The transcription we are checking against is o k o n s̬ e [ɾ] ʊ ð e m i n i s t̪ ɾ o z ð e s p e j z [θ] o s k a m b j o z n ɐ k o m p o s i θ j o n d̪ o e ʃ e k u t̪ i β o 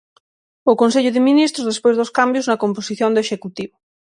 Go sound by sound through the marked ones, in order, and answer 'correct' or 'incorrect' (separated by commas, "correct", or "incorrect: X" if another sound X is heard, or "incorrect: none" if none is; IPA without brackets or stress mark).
incorrect: ʎ, incorrect: ð